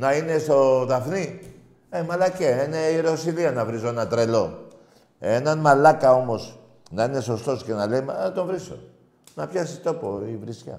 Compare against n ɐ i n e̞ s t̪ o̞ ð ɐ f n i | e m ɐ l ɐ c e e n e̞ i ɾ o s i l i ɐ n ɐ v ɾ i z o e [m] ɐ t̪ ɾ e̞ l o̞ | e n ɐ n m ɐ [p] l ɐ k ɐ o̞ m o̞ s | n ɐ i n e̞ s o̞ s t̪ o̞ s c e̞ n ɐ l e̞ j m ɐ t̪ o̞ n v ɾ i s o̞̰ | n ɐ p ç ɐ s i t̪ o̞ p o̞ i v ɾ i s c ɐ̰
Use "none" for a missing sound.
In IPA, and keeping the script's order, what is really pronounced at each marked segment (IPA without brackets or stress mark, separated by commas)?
n, none